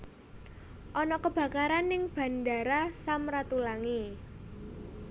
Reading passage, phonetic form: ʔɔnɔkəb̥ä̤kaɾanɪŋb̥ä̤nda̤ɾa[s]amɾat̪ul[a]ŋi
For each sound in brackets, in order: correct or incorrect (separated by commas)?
correct, correct